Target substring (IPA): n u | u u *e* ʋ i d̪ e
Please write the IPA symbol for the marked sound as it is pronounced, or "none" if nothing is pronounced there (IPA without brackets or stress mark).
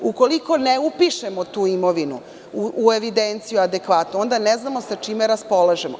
e